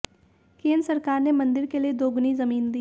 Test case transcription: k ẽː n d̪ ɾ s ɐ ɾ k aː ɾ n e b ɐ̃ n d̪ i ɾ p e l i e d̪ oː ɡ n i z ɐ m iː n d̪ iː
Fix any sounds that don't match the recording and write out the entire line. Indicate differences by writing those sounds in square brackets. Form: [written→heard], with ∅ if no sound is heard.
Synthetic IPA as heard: k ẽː n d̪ ɾ s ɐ ɾ k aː ɾ n e [b→m] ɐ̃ n d̪ [i→ɪ] ɾ [p→k] e l i e d̪ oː ɡ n i z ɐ m iː n d̪ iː

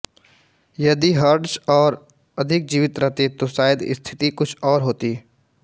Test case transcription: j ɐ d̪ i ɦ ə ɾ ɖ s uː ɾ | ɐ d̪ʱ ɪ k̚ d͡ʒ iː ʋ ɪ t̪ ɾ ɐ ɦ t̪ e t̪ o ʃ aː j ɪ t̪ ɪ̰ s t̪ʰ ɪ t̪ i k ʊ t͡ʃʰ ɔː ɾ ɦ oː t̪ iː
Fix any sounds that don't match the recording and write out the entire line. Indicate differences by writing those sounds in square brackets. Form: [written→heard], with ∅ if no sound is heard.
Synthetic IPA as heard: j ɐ d̪ i ɦ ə ɾ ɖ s [uː→ɔː] ɾ | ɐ d̪ʱ ɪ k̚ d͡ʒ iː ʋ ɪ t̪ ɾ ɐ ɦ t̪ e t̪ o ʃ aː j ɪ [t̪→d̪] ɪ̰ s t̪ʰ ɪ t̪ i k ʊ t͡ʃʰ ɔː ɾ ɦ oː t̪ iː

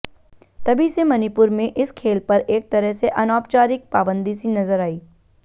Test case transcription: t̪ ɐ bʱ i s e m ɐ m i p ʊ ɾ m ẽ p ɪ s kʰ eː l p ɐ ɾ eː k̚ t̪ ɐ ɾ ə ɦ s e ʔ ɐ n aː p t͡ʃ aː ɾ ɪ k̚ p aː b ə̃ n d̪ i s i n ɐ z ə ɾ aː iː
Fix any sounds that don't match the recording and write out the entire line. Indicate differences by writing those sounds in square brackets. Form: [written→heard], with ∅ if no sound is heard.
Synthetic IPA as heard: t̪ ɐ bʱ i s e m ɐ [m→n] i p ʊ ɾ m ẽ [p→ʔ] ɪ s kʰ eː l p ɐ ɾ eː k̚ t̪ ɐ ɾ ə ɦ s e ʔ ɐ n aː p t͡ʃ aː ɾ ɪ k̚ p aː b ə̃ n d̪ i s i n ɐ z ə ɾ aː iː

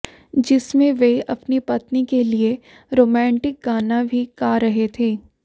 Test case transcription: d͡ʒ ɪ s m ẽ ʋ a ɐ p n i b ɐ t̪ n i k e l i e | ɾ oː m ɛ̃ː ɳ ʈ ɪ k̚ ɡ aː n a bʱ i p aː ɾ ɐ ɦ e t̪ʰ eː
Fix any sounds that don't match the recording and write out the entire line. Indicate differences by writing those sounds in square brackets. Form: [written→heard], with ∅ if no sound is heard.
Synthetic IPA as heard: d͡ʒ ɪ s m ẽ ʋ [a→e] ɐ p n i [b→p] ɐ t̪ n i k e l i e | ɾ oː m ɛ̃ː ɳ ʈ ɪ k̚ ɡ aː n a bʱ i [p→k] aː ɾ ɐ ɦ e t̪ʰ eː

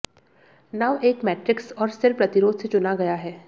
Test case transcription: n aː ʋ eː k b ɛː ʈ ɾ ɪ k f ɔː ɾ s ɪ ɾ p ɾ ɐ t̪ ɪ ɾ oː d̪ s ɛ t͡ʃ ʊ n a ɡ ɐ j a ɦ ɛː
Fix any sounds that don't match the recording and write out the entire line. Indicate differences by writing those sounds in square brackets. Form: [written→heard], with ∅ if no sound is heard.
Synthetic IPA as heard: n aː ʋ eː k [b→m] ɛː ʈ ɾ ɪ k [f→s] ɔː ɾ s ɪ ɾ p ɾ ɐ t̪ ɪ ɾ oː d̪ s [ɛ→e] t͡ʃ ʊ n a ɡ ɐ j a ɦ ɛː

